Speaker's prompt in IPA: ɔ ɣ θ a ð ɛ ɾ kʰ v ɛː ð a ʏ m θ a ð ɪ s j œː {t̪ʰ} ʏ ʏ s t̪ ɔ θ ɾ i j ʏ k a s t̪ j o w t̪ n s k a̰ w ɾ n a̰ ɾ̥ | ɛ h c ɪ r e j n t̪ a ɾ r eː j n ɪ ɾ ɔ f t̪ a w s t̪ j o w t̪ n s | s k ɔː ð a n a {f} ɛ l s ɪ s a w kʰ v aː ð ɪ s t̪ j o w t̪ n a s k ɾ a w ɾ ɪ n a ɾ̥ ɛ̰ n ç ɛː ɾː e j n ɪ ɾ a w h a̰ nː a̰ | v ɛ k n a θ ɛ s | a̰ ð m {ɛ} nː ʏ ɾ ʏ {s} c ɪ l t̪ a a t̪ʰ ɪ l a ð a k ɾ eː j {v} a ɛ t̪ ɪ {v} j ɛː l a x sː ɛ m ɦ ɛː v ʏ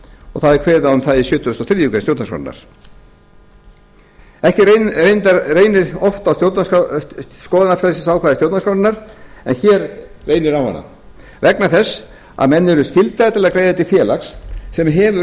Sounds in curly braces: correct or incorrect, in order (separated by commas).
incorrect, correct, correct, correct, incorrect, incorrect